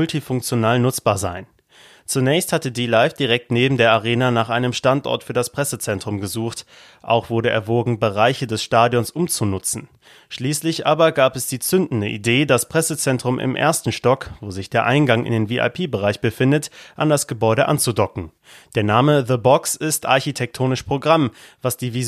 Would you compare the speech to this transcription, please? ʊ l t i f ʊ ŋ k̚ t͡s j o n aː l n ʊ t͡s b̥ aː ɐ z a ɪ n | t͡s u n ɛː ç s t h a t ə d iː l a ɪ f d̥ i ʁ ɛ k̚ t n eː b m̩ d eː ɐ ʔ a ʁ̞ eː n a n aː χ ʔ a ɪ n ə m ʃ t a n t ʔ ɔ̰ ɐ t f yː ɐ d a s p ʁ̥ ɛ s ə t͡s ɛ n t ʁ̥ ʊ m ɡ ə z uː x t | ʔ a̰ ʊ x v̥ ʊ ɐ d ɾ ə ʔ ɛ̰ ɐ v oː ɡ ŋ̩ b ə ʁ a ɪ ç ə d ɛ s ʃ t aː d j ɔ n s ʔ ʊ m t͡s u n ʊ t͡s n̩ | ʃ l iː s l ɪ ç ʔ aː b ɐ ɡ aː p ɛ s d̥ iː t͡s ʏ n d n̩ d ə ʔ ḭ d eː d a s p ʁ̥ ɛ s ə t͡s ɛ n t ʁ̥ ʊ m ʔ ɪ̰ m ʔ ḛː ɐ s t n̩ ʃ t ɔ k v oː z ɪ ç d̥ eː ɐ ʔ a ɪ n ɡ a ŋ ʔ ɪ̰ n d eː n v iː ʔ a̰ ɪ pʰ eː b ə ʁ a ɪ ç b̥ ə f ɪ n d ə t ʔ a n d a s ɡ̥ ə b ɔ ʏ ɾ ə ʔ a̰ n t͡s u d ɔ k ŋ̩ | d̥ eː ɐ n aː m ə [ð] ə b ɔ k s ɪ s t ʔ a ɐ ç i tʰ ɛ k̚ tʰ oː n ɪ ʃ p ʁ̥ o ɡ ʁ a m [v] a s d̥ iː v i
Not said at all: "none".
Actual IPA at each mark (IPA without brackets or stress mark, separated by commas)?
ð, v